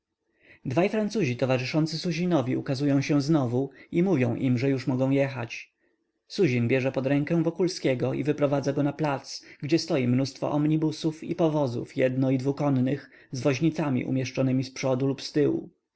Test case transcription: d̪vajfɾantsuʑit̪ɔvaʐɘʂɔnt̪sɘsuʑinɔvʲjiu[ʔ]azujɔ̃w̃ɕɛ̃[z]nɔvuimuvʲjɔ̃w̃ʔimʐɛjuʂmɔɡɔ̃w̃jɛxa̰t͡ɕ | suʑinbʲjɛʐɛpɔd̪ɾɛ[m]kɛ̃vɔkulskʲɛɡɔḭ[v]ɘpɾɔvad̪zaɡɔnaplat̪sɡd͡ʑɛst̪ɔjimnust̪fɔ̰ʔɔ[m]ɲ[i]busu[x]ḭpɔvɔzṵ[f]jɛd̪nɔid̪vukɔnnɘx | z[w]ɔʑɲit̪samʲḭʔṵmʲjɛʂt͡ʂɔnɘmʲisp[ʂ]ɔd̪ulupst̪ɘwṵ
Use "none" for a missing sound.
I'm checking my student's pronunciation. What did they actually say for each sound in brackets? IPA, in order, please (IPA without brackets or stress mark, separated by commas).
k, z, ŋ, v, m, i, f, f, v, ʂ